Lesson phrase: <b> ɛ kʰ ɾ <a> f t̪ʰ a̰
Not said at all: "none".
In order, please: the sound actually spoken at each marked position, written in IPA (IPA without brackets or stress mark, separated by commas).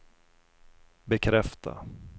b, ɛ